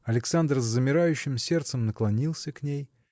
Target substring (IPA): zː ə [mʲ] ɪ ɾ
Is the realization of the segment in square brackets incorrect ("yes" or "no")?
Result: no